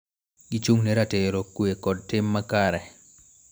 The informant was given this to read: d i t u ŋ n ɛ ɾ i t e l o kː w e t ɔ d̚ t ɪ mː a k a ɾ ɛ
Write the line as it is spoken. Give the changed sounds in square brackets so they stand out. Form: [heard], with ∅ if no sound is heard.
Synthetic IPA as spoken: [ɡ] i [t͡ʃ] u ŋ n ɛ ɾ [a] t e [ɾ] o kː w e [k] ɔ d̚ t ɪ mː a k a ɾ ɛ